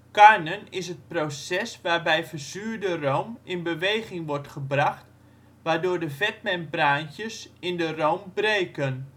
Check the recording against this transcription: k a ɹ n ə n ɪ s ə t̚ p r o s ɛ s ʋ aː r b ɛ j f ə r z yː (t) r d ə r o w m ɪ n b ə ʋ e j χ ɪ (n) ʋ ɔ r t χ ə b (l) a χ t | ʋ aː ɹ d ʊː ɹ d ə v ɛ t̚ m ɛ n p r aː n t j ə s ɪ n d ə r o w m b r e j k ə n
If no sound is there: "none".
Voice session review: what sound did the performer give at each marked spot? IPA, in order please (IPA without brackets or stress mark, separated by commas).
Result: none, ŋ, r